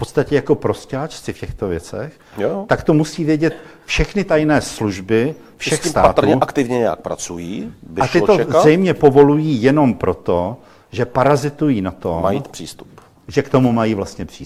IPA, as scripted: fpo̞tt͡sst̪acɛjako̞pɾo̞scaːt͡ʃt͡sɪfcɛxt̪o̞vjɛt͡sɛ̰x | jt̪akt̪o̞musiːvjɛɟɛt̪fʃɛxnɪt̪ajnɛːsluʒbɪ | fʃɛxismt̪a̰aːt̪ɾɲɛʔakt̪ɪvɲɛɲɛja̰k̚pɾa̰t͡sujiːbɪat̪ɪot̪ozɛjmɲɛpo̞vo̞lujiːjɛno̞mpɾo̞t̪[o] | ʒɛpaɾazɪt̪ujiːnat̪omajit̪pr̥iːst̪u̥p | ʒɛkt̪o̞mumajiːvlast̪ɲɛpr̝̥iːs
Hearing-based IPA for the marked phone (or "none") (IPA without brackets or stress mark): o